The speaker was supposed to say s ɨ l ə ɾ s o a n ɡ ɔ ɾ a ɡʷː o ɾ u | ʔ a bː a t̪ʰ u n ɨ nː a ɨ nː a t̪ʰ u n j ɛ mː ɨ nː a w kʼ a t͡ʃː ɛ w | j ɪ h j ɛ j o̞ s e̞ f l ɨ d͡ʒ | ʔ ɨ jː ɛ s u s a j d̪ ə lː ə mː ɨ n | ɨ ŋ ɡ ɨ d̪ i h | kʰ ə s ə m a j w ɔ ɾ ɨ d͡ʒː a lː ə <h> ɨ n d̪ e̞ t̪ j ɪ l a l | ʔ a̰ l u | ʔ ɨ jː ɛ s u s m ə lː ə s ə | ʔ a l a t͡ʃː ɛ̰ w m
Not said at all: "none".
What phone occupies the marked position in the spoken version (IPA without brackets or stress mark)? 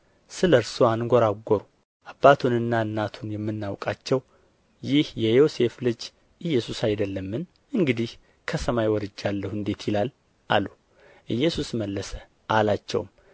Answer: h